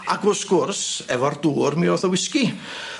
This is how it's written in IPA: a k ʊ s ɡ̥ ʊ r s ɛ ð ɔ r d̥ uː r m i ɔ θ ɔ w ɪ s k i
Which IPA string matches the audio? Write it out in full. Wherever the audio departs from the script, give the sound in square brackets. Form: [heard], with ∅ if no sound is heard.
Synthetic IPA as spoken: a [ɡ] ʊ s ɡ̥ ʊ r s ɛ [v] ɔ r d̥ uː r m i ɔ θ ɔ w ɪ s k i